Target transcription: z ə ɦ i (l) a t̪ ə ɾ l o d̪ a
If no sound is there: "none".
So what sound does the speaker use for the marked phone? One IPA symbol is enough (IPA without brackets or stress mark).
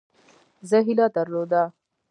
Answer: l